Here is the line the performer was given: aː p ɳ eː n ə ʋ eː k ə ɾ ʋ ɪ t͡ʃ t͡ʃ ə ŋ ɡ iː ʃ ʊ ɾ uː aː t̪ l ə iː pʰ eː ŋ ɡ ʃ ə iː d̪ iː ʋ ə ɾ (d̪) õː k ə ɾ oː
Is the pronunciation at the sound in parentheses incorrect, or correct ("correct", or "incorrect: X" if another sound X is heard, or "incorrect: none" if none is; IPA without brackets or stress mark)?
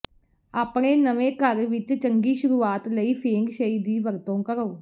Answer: incorrect: t̪